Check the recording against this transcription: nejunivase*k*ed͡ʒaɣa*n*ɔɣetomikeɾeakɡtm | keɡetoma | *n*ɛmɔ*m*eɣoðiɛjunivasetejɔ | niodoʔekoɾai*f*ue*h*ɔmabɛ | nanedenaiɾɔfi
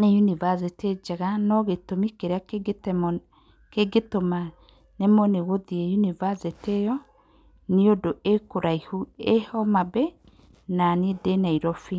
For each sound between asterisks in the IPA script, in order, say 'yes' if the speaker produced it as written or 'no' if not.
no, yes, yes, no, no, yes

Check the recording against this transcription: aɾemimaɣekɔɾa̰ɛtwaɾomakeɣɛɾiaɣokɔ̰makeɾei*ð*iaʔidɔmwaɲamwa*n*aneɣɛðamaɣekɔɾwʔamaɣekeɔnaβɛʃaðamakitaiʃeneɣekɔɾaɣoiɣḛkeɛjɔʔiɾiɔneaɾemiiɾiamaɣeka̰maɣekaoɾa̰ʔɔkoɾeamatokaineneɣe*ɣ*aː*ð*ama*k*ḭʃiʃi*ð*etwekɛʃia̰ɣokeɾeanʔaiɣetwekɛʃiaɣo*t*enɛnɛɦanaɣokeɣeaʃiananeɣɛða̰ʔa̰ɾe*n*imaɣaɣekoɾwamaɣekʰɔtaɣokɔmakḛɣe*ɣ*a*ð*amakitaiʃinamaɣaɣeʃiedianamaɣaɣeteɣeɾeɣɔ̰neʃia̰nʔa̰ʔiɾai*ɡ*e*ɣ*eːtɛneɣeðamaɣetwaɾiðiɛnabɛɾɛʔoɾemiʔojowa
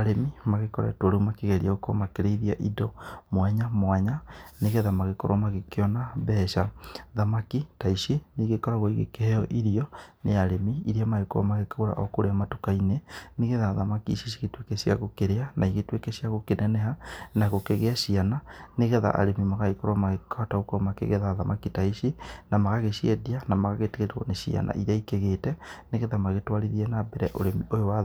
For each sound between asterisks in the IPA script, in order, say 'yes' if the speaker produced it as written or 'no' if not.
yes, no, no, yes, yes, no, no, no, no, yes, no, yes

